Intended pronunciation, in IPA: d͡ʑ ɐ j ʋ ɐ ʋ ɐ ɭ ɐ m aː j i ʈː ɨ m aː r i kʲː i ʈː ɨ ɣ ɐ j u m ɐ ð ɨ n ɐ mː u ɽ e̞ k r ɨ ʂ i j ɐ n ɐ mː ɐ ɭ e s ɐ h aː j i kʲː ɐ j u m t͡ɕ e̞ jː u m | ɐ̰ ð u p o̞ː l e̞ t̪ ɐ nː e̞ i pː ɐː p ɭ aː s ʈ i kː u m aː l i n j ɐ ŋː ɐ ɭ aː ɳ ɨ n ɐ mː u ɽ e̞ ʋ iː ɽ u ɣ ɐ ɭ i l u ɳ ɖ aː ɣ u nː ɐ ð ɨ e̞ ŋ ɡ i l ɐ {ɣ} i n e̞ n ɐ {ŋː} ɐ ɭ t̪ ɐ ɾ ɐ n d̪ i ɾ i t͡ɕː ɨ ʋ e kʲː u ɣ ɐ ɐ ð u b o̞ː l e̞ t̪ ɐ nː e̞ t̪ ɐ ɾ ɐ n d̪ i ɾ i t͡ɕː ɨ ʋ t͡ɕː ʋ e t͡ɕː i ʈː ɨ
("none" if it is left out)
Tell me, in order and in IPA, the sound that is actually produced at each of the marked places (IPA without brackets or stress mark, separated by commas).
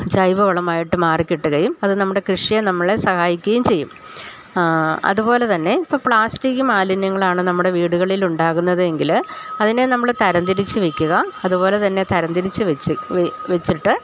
ð, mː